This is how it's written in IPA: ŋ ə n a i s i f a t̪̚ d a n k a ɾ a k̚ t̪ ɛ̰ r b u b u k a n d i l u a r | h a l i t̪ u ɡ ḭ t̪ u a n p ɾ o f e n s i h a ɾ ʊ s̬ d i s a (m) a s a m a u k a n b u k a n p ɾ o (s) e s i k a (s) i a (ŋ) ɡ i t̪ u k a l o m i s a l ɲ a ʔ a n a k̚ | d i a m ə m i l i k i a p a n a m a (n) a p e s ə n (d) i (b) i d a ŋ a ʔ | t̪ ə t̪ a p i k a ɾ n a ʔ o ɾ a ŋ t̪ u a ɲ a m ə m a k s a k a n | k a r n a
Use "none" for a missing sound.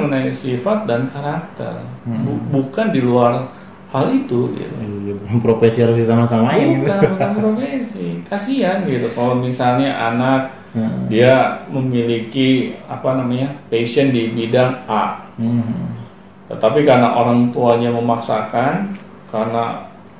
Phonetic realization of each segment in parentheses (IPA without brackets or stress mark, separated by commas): m, f, s, n, ɲ, d, b